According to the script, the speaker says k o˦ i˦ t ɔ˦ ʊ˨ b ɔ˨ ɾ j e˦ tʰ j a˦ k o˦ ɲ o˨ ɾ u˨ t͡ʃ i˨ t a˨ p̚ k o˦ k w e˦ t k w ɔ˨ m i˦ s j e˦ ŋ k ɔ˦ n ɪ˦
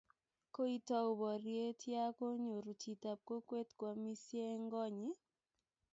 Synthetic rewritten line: k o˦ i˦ t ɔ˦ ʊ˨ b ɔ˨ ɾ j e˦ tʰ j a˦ k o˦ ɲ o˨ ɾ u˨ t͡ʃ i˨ t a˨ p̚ k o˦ k w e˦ t k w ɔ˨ m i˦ s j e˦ ŋ ɡ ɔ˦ ɲ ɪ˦